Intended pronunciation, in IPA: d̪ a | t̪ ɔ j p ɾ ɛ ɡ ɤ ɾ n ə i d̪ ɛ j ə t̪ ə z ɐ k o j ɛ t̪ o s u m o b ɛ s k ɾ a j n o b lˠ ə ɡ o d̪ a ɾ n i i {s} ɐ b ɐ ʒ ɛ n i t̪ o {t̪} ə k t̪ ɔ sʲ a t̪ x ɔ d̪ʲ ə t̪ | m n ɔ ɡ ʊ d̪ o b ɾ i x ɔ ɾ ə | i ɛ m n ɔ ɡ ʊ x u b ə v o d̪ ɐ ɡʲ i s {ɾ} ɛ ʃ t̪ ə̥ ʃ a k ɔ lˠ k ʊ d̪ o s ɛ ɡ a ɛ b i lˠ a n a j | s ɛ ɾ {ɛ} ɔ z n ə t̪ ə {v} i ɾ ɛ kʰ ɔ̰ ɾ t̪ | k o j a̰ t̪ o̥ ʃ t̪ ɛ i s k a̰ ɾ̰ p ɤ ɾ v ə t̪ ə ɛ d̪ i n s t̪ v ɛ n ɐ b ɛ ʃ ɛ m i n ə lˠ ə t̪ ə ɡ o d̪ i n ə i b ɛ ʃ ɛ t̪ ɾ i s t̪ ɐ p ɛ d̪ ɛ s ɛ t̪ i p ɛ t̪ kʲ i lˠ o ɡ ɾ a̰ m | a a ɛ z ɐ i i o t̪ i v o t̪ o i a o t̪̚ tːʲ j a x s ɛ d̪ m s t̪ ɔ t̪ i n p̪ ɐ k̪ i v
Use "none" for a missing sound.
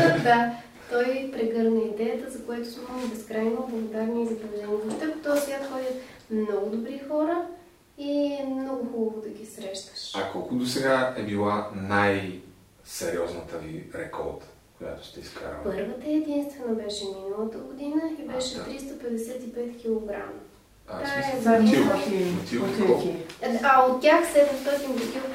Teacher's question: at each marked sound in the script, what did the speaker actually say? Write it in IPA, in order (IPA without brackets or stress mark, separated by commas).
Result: z, t̪, ɾ, i, v